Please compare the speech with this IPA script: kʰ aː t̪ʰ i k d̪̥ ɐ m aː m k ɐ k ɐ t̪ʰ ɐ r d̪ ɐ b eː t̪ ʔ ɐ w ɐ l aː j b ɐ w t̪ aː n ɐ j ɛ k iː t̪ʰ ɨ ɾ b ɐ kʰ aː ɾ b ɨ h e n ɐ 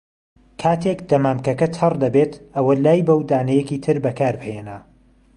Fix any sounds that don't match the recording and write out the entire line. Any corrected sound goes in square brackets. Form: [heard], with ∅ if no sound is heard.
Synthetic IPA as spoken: kʰ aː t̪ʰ [e] k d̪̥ ɐ m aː m k ɐ k ɐ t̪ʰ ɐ r d̪ ɐ b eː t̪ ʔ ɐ w ɐ l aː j b ɐ w [d̪] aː n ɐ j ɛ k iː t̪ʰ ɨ ɾ b ɐ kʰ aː ɾ b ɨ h e n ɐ